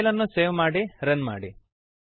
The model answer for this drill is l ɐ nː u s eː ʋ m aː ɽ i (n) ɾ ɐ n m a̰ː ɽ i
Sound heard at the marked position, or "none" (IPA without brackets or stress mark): none